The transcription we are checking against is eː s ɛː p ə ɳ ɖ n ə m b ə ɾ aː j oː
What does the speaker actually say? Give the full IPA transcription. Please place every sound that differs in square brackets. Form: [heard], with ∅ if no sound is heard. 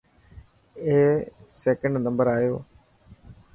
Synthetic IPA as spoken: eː s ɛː [k] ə ɳ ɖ n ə m b ə ɾ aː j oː